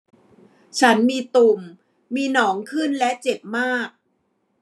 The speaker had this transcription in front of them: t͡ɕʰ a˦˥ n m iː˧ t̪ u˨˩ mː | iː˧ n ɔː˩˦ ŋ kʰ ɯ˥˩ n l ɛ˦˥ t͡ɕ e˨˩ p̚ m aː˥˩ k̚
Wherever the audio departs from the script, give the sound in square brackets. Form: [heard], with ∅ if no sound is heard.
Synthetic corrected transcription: t͡ɕʰ a˦˥ n m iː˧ t̪ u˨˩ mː | iː˧ n ɔː˩˦ ŋ kʰ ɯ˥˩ n l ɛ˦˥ t͡ɕ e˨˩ p̚ m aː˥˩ k̚